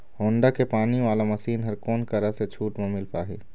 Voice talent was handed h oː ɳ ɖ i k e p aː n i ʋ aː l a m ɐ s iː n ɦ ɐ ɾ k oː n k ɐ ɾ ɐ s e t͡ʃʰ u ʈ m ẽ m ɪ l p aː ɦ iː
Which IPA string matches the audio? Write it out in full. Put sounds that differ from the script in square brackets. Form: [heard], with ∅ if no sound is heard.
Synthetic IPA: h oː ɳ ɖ [a] k e p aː n i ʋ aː l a m ɐ s iː n ɦ ɐ ɾ k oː n k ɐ ɾ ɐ s e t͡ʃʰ [uː] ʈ m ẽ m ɪ l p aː ɦ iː